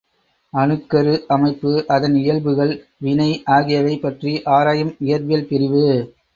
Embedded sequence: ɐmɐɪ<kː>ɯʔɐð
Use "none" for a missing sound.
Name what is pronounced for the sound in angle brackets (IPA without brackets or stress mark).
pː